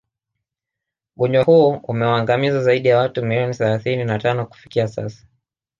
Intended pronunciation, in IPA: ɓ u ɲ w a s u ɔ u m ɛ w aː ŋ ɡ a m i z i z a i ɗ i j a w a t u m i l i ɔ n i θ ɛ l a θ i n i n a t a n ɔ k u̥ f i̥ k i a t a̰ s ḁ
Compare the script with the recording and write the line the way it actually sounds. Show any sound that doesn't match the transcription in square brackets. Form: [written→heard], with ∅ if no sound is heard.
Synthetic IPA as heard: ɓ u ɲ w a [s→h] u ɔ u m ɛ w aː ŋ ɡ a m i z [i→a] z a i ɗ i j a w a t u m i l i ɔ n i θ ɛ l a θ i n i n a t a n ɔ k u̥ f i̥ k i a [t→s] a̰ s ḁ